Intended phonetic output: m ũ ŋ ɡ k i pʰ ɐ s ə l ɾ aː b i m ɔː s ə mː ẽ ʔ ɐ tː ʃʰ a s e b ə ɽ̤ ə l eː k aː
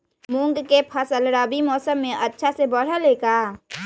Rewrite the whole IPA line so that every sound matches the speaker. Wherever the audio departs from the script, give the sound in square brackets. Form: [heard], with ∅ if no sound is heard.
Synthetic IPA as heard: m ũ ŋ ɡ k [e] pʰ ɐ s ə l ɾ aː b i m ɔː s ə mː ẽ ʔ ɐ tː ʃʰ a s e b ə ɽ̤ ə l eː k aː